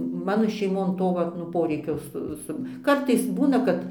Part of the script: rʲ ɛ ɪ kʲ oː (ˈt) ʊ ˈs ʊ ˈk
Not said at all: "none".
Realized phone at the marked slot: s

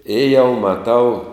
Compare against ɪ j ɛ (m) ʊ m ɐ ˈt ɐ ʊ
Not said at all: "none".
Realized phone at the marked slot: none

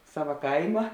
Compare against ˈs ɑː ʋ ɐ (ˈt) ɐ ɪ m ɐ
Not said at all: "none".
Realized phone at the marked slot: k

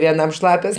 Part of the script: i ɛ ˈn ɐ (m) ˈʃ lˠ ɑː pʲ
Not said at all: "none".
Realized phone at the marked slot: m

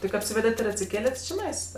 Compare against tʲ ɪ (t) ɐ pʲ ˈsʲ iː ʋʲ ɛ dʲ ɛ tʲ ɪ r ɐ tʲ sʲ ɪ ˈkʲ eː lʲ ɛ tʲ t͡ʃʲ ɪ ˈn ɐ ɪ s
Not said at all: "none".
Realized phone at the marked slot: k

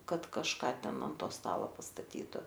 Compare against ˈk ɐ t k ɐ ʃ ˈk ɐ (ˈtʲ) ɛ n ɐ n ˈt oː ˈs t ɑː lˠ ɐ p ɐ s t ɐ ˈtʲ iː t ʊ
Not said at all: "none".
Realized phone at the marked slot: tʲ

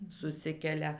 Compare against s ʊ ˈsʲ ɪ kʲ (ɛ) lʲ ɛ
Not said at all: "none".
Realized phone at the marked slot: ɛ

